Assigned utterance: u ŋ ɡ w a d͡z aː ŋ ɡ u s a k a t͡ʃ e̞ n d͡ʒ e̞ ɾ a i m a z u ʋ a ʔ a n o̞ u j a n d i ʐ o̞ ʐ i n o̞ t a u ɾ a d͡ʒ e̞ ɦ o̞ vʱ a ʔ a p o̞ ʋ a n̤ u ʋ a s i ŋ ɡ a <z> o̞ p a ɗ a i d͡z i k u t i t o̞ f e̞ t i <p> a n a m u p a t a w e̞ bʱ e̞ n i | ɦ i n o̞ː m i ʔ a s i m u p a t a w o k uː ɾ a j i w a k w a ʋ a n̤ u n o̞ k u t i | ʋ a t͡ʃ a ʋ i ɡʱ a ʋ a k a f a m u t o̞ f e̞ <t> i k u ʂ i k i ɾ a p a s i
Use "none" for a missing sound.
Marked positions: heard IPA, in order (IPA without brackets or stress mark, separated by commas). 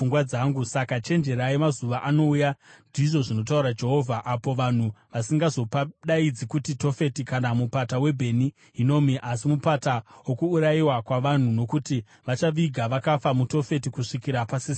z, k, t